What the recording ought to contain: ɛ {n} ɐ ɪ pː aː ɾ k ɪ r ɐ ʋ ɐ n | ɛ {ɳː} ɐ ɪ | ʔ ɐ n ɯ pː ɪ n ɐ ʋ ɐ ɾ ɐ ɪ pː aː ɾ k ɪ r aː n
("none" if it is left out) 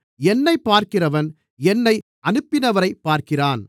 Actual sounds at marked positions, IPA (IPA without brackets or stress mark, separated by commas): nː, nː